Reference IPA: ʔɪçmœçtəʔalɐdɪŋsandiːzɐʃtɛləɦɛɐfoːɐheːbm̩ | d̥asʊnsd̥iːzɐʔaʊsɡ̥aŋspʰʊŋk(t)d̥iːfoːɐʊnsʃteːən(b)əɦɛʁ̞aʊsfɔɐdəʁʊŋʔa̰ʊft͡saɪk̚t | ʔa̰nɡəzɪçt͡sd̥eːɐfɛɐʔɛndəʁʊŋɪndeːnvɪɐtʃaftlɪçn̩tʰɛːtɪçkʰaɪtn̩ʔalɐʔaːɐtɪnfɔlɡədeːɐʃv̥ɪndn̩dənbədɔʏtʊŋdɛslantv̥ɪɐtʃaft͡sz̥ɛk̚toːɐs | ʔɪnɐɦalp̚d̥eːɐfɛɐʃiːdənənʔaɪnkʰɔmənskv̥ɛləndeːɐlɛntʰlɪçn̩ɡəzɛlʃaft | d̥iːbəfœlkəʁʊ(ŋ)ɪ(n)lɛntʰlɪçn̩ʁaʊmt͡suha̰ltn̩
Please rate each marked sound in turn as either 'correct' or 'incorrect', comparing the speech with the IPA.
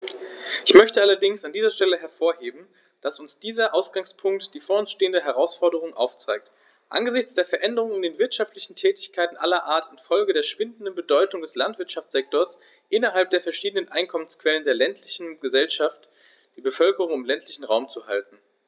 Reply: correct, incorrect: d, correct, incorrect: m

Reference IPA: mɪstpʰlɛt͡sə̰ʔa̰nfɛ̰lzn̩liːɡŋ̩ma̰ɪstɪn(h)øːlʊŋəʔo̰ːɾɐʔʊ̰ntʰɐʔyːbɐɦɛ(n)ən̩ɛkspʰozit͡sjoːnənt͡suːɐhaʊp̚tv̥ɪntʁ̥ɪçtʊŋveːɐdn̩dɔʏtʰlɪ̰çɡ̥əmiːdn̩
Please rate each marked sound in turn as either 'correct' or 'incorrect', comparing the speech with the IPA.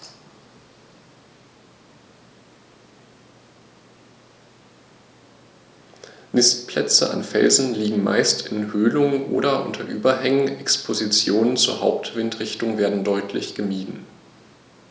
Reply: correct, incorrect: ŋ

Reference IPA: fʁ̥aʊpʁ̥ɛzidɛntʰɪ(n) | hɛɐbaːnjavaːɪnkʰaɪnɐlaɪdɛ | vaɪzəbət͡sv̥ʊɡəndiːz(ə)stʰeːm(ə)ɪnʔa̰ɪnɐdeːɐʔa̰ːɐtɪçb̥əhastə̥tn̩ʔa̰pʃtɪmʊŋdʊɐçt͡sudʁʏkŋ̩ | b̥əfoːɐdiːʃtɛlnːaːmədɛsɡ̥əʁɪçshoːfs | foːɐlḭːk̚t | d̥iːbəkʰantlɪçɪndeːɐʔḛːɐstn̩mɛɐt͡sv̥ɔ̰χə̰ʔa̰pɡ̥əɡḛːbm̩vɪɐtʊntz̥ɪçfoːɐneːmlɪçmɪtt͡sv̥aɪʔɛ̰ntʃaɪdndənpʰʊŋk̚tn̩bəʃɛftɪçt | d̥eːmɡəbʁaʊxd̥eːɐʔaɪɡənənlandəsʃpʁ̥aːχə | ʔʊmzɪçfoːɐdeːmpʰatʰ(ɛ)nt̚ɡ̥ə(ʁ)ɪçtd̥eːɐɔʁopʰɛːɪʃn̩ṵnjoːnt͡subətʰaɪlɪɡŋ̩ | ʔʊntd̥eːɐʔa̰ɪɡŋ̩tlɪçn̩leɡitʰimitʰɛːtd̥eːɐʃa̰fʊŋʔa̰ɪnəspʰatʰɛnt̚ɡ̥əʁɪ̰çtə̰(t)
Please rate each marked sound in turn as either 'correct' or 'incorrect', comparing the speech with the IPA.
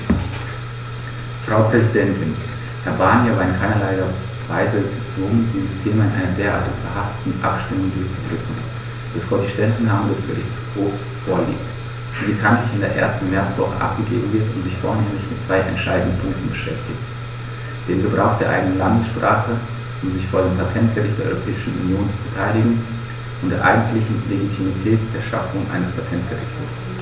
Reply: correct, correct, incorrect: a, correct, correct, incorrect: s

